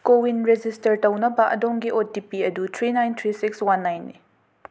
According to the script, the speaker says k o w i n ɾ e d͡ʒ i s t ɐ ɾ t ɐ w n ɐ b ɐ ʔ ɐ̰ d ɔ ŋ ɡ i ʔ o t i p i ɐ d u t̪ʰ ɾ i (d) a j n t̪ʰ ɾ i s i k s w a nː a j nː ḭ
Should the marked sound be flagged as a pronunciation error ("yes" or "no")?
yes